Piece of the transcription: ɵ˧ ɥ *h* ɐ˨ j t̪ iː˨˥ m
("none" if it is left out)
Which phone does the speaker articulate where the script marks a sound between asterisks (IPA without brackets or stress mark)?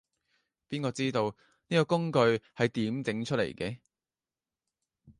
h